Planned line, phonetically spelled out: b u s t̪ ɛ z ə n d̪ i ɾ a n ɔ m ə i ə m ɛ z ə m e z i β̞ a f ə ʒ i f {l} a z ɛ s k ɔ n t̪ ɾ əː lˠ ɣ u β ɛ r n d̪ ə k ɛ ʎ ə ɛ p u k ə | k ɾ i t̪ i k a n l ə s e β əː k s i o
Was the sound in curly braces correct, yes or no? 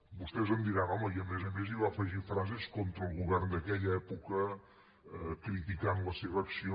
no